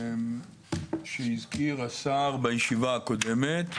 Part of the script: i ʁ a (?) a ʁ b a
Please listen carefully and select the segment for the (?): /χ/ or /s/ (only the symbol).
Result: s